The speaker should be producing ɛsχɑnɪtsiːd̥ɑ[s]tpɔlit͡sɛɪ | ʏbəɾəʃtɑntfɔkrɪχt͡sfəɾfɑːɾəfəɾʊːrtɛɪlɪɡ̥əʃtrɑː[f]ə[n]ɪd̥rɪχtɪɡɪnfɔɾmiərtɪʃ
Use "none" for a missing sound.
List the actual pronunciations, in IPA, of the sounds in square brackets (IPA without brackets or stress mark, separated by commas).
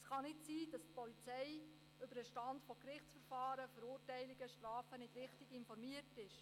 s, f, n